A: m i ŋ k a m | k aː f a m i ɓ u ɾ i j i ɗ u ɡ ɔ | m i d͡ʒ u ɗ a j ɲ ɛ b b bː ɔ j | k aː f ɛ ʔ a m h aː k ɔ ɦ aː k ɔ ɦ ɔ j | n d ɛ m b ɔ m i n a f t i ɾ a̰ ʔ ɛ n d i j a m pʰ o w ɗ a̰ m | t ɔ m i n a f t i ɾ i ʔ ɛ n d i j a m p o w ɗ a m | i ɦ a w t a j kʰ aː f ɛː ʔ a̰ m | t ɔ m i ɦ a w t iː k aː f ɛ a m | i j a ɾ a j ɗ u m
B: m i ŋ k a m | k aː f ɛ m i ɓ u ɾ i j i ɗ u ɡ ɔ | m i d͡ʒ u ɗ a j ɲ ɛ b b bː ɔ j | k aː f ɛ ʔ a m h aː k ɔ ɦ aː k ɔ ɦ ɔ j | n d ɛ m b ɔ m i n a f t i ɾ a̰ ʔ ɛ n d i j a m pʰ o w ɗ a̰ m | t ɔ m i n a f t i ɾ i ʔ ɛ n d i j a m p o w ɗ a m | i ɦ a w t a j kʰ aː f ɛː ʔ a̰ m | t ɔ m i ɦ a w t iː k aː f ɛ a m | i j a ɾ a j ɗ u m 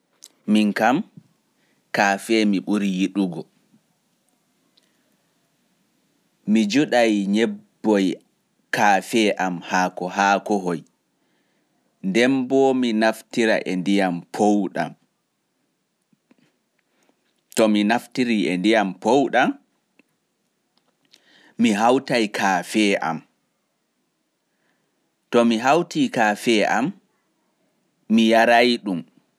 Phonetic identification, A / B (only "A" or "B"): B